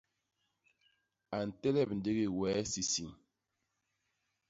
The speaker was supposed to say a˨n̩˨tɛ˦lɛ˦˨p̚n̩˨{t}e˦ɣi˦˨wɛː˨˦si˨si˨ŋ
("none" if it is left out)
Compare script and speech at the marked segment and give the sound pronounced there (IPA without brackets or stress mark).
d